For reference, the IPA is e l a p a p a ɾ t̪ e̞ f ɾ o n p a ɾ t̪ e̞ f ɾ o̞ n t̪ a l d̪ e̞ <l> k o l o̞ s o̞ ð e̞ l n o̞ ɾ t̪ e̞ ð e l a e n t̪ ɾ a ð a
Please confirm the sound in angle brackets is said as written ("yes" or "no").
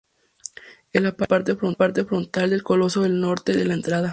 yes